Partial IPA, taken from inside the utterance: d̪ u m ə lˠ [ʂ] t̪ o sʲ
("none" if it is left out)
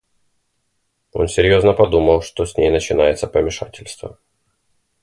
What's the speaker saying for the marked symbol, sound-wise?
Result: ʂ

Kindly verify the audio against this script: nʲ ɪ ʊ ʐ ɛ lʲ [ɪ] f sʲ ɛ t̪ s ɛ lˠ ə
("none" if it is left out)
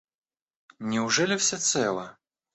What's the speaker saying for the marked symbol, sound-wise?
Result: ɪ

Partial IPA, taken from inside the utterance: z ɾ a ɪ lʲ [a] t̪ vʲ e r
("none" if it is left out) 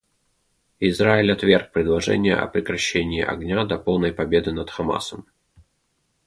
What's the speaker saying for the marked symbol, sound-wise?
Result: ɐ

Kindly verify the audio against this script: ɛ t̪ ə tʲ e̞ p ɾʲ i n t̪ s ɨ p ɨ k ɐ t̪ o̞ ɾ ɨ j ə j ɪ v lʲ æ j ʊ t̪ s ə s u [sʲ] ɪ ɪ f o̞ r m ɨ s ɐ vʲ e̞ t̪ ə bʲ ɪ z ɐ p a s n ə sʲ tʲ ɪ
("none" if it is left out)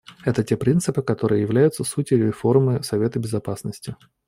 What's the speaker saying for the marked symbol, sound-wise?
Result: tʲ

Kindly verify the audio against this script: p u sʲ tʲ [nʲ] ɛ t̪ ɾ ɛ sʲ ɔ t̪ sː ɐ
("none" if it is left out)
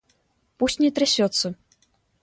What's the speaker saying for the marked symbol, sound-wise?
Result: nʲ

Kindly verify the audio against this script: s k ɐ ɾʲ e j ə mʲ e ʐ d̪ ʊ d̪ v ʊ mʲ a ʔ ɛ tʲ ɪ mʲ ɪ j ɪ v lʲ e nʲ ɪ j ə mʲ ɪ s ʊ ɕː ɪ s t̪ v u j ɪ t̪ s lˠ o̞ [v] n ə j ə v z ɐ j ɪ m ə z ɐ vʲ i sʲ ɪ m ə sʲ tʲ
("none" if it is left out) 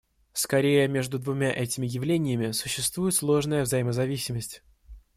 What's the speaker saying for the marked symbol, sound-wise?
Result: ʐ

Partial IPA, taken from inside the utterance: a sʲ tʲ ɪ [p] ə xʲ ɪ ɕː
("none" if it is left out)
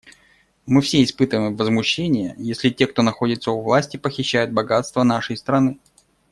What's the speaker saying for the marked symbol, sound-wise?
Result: p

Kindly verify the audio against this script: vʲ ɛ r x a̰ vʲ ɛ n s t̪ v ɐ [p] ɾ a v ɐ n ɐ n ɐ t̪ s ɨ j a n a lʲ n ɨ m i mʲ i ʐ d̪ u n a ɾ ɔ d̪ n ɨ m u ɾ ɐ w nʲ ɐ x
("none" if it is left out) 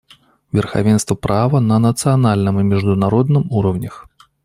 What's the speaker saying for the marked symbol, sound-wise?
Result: p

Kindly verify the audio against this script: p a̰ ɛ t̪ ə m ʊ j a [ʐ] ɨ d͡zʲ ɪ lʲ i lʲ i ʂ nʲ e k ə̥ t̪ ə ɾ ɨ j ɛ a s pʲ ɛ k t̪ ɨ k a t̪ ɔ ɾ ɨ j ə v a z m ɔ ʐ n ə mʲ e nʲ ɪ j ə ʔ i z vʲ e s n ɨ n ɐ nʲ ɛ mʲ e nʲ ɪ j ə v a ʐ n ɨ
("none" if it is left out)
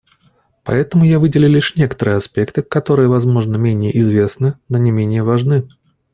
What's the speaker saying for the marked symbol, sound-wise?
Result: v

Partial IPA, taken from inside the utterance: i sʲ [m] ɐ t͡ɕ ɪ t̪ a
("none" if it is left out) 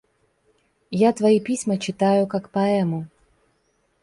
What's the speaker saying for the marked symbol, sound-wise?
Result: m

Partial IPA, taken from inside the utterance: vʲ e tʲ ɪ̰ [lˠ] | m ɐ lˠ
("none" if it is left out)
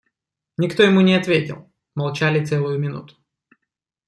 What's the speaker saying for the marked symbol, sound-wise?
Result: lˠ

